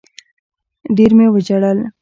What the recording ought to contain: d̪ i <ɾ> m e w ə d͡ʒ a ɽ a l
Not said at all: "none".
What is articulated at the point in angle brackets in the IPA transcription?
ɾ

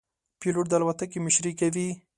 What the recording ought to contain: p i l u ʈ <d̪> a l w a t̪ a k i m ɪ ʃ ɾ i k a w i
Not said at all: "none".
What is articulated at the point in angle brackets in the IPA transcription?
d̪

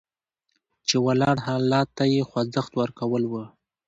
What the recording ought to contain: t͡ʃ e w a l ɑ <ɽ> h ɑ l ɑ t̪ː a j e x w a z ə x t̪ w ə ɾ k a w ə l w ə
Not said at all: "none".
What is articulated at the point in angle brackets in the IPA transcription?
ɽ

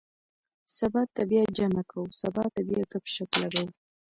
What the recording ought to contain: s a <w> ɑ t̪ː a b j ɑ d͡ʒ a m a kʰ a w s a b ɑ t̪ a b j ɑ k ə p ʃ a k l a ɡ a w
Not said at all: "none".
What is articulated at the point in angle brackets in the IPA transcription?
b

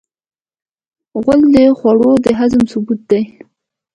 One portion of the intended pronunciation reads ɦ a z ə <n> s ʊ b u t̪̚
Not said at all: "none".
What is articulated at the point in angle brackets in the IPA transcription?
m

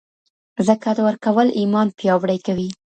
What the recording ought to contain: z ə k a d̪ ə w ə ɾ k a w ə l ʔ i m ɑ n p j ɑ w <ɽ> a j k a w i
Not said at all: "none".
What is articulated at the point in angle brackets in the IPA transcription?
ɽ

